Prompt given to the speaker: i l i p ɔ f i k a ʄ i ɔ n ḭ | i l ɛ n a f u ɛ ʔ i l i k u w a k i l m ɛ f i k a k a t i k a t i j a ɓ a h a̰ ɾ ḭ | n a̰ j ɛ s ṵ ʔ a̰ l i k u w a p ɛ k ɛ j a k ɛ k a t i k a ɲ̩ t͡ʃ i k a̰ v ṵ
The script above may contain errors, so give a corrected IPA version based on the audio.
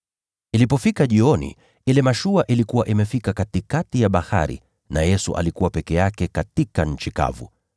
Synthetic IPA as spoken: i l i p ɔ f i k a ʄ i ɔ n ḭ | i l ɛ m a ʃ u a ʔ i l i k u w a ʔ i m ɛ f i k a k a t i k a t i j a ɓ a h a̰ ɾ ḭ | n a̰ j ɛ s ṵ ʔ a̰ l i k u w a p ɛ k ɛ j a k ɛ k a t i k a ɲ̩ t͡ʃ i k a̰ v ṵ

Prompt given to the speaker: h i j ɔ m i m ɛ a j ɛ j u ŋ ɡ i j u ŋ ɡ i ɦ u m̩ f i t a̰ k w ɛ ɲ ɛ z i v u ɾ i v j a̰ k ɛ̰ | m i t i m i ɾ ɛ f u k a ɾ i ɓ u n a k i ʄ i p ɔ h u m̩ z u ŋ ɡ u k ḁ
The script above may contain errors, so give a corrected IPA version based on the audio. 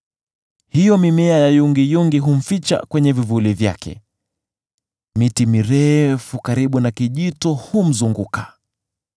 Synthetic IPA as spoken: h i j ɔ m i m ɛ a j a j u ŋ ɡ i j u ŋ ɡ i ɦ u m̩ f i t͡ʃ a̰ k w ɛ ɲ ɛ v i v u l i v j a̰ k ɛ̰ | m i t i m i ɾ ɛ f u k a ɾ i ɓ u n a k i ʄ i t ɔ h u m̩ z u ŋ ɡ u k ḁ

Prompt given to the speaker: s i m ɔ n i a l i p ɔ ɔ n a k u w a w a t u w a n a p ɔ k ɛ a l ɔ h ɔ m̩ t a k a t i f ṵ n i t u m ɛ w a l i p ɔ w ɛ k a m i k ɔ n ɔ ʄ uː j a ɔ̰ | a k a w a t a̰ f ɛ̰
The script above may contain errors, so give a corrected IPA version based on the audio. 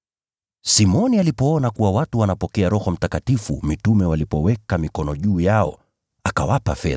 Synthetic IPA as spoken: s i m ɔ n i a l i p ɔ ɔ n a k u w a w a t u w a n a p ɔ k ɛ a ɾ ɔ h ɔ m̩ t a k a t i f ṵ m i t u m ɛ w a l i p ɔ w ɛ k a m i k ɔ n ɔ ʄ uː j a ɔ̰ | a k a w a p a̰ f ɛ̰

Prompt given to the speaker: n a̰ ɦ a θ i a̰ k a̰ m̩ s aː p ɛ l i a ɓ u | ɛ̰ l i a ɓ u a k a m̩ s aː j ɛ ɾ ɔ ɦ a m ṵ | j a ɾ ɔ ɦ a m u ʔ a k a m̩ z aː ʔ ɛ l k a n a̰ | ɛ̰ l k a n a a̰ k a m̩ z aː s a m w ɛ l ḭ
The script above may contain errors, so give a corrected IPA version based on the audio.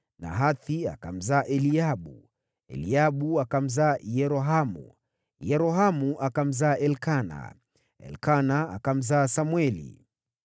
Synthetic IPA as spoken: n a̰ ɦ a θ i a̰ k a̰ m̩ z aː ʔ ɛ l i a ɓ u | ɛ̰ l i a ɓ u a k a m̩ z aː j ɛ ɾ ɔ ɦ a m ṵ | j ɛ ɾ ɔ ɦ a m u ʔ a k a m̩ z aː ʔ ɛ l k a n a̰ | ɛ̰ l k a n a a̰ k a m̩ z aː s a m w ɛ l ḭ

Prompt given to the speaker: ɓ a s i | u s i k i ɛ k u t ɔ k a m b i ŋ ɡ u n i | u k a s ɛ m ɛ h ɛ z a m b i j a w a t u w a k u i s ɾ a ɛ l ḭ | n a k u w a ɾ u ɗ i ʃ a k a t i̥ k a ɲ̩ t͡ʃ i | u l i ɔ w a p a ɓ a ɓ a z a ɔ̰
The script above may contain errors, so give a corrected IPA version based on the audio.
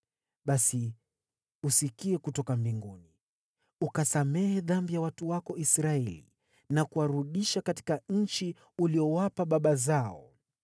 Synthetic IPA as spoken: ɓ a s i | u s i k i ɛ k u t ɔ k a m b i ŋ ɡ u n i | u k a s a m ɛ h ɛ ð a m b i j a w a t u w a k ɔ i s ɾ a ɛ l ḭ | n a k u w a ɾ u ɗ i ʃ a k a t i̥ k a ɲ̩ t͡ʃ i | u l i ɔ w a p a ɓ a ɓ a z a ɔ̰

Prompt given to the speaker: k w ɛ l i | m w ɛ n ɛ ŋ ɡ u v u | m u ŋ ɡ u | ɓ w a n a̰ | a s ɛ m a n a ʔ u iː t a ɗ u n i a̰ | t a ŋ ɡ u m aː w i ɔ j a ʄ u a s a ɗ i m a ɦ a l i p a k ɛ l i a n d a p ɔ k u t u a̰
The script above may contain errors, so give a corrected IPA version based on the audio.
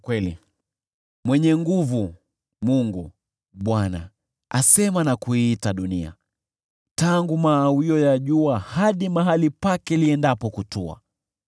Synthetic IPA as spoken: k w ɛ l i | m w ɛ ɲ ɛ ŋ ɡ u v u | m u ŋ ɡ u | ɓ w a n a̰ | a s ɛ m a n a k u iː t a ɗ u n i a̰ | t a ŋ ɡ u m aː w i ɔ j a ʄ u a h a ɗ i m a ɦ a l i p a k ɛ l i ɛ n d a p ɔ k u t u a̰

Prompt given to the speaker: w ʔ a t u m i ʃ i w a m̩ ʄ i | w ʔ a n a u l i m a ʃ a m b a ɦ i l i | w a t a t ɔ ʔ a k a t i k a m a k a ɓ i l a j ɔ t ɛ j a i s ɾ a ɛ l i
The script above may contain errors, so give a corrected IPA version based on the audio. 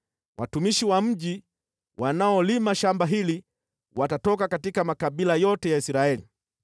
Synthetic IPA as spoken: w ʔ a t u m i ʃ i w a m̩ ʄ i | w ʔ a n a ɔ l i m a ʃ a m b a ɦ i l i | w a t a t ɔ k a k a t i k a m a k a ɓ i l a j ɔ t ɛ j a i s ɾ a ɛ l i

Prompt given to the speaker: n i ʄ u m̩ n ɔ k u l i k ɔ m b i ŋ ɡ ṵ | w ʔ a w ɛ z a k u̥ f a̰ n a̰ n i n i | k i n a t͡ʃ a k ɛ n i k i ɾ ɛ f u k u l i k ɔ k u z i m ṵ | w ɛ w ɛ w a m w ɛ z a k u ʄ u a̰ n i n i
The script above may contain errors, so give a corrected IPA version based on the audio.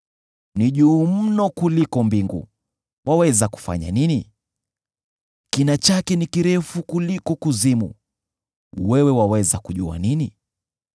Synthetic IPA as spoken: n i ʄ uː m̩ n ɔ k u l i k ɔ m b i ŋ ɡ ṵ | w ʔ a w ɛ z a k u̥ f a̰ ɲ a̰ n i n i | k i n a t͡ʃ a k ɛ n i k i ɾ ɛ f u k u l i k ɔ k u z i m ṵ | w ɛ w ɛ w a w ɛ z a k u ʄ u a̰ n i n i

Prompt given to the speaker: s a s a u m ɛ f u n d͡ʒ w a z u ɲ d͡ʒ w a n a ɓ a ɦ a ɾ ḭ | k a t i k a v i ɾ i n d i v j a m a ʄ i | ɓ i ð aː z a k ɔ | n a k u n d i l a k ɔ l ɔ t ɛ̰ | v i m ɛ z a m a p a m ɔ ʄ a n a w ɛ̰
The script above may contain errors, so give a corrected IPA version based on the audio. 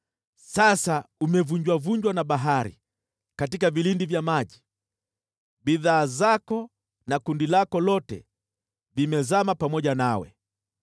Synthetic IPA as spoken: s a s a u m ɛ v u ɲ d͡ʒ w a v u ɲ d͡ʒ w a n a ɓ a ɦ a ɾ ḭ | k a t i k a v i l i n d i v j a m a ʄ i | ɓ i ð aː z a k ɔ | n a k u n d i l a k ɔ l ɔ t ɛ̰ | v i m ɛ z a m a p a m ɔ ʄ a n a w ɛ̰

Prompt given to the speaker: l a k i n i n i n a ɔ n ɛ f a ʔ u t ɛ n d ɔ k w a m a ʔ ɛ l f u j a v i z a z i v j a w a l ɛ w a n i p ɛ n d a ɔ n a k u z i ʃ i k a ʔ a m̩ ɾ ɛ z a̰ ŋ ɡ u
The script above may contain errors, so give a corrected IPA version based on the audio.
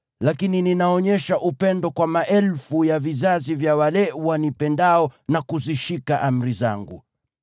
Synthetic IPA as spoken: l a k i n i n i n a ɔ ɲ ɛ ʃ a ʔ u p ɛ n d ɔ k w a m a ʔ ɛ l f u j a v i z a z i v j a w a l ɛ w a n i p ɛ n d a ɔ n a k u z i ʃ i k a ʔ a m̩ ɾ i z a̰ ŋ ɡ u

